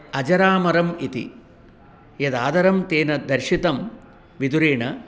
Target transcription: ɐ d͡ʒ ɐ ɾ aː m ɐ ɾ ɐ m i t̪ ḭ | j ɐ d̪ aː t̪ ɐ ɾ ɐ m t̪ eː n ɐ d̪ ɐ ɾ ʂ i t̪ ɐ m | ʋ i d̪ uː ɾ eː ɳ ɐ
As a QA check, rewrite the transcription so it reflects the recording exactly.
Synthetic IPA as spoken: ɐ d͡ʒ ɐ ɾ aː m ɐ ɾ ɐ m i t̪ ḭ | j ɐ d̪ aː d̪ ɐ ɾ ɐ m t̪ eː n ɐ d̪ ɐ ɾ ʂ i t̪ ɐ m | ʋ i d̪ u ɾ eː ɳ ɐ